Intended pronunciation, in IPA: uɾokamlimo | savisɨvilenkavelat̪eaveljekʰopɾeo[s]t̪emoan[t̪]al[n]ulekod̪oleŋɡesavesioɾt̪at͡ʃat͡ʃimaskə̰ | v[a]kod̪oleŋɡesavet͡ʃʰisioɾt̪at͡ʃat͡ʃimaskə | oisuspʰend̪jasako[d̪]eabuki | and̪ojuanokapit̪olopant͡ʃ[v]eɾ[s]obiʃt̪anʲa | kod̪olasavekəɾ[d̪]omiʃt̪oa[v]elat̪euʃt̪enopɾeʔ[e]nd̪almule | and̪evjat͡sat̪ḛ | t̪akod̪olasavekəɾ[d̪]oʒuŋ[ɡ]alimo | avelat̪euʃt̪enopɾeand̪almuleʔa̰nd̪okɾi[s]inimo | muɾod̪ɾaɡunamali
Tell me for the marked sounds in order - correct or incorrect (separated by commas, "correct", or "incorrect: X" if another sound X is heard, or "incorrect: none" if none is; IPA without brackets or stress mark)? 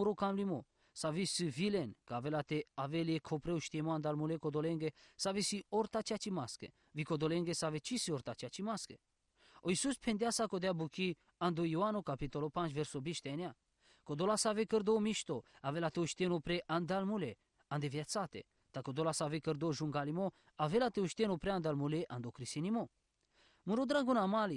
incorrect: ʃ, incorrect: d̪, incorrect: m, incorrect: i, correct, correct, correct, correct, correct, incorrect: a, correct, correct, correct